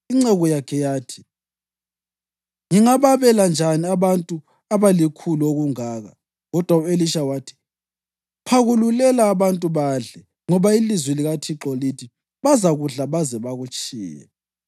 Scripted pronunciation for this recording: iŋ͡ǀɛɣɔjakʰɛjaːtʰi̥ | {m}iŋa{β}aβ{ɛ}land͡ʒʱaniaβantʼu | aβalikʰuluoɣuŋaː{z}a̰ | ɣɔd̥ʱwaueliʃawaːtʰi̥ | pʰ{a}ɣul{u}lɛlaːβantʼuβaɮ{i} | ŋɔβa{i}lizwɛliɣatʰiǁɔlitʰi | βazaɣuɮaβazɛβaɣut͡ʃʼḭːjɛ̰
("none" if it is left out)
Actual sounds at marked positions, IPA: ŋ, β, ɛ, ɣ, a, u, ɛ, i

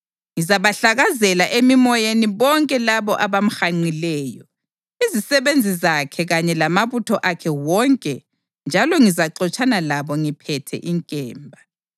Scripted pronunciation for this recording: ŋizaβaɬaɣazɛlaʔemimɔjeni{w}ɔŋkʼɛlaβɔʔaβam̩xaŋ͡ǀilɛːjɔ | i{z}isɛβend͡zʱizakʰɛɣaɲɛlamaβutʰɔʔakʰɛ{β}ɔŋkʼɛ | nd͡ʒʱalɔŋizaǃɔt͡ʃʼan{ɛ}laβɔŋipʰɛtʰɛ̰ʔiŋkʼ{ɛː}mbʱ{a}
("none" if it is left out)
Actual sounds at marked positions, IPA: β, z, w, a, ɛː, a

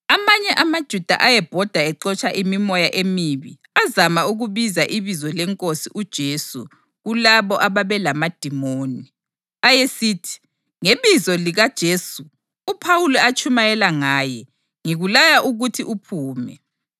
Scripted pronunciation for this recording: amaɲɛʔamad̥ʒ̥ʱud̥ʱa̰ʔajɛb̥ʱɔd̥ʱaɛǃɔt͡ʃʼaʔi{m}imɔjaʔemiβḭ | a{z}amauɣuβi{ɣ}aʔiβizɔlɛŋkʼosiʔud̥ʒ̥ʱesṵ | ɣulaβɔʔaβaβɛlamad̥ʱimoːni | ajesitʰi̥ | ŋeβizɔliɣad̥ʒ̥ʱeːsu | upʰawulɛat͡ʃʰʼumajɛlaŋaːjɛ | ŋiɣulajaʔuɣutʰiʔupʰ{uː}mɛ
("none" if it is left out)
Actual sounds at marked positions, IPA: m, z, z, uː

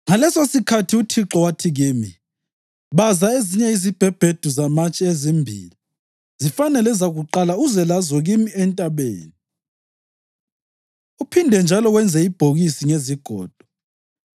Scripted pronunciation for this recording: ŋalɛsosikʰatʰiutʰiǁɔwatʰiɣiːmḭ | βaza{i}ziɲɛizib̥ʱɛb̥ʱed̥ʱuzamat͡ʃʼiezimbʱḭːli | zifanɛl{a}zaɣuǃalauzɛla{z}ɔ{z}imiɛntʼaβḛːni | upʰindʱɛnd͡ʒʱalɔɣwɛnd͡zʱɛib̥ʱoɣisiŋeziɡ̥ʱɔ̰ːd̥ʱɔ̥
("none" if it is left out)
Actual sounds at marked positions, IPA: e, ɛ, z, ɣ

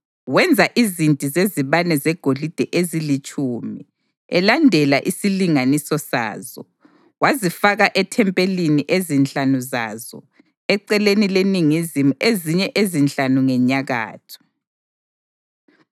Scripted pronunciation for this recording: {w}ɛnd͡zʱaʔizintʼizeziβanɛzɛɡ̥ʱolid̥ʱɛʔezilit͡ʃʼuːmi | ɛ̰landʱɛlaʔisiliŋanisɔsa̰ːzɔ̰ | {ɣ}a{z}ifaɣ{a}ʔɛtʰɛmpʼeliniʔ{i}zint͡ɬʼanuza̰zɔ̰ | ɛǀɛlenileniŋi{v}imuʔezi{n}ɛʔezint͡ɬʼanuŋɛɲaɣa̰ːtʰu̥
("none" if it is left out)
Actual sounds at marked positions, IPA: w, w, z, a, e, z, ɲ

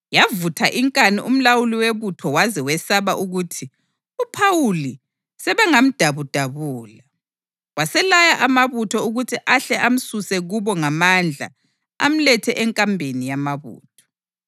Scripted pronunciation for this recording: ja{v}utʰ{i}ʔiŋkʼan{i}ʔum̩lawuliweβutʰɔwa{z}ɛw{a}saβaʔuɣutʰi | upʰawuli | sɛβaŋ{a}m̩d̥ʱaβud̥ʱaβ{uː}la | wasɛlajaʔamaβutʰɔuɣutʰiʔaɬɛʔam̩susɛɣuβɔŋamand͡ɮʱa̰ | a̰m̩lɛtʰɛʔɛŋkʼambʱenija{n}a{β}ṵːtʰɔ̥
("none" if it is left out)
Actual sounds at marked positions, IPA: v, a, i, z, ɛ, a, uː, m, β

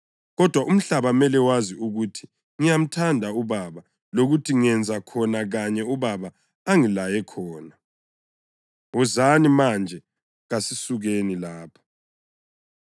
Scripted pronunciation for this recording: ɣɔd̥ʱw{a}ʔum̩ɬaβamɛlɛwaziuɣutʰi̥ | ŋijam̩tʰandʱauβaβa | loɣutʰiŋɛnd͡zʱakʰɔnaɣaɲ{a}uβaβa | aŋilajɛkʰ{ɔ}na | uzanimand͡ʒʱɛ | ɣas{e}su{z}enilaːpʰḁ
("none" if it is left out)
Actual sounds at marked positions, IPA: a, ɛ, ɔː, i, ɣ

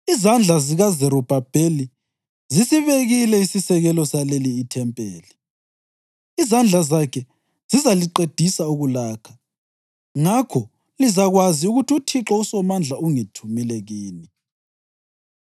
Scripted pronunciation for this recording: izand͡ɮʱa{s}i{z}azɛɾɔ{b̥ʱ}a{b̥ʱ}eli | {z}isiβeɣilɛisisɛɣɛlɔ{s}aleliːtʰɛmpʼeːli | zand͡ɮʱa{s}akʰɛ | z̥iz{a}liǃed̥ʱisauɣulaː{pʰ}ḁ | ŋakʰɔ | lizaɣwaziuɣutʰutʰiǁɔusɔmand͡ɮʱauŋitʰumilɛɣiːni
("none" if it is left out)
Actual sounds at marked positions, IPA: z, ɣ, b̥ʱ, b̥ʱ, z, s, z, a, kʰ

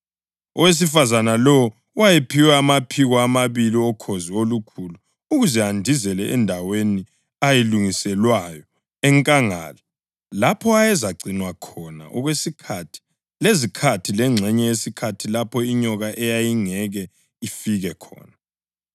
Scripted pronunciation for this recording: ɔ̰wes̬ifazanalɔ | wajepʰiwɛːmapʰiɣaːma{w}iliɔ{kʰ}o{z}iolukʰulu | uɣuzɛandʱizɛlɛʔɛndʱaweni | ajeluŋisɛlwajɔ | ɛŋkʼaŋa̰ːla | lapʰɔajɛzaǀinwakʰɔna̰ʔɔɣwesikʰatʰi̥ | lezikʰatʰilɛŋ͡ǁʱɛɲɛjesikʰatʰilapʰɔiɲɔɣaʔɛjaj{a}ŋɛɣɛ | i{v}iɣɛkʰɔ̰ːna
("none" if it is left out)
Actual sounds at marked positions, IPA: β, kʰ, z, i, f

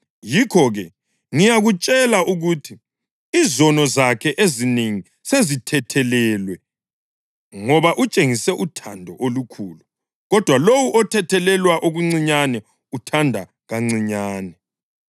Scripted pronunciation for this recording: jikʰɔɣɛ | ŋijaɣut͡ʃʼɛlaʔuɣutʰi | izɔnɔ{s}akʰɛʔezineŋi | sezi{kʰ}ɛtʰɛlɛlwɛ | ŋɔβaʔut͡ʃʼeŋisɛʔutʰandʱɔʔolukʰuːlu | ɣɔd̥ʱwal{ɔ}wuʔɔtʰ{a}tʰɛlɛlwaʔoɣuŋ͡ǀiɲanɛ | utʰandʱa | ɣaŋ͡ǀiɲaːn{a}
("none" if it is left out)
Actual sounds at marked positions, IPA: z, tʰ, o, ɛ, ɛ

